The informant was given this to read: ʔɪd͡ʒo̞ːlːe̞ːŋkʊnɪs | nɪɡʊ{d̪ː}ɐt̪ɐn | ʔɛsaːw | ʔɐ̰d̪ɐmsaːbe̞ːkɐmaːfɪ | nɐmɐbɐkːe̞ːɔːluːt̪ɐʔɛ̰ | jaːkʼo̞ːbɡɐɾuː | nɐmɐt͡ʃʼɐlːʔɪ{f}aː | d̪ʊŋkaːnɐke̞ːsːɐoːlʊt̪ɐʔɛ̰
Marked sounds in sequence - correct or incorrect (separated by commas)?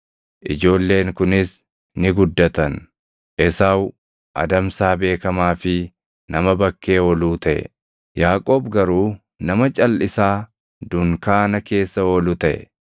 correct, incorrect